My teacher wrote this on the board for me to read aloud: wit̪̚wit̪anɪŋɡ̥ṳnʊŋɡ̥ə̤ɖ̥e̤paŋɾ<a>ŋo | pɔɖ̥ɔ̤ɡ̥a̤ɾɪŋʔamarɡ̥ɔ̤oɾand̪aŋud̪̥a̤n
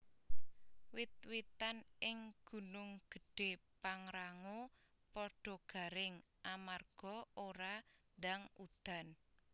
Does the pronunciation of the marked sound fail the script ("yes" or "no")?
no